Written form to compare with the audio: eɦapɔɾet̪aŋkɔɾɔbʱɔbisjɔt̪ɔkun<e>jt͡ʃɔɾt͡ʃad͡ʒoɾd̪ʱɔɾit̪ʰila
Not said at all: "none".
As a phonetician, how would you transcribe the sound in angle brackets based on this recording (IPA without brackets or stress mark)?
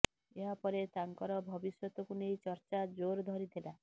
e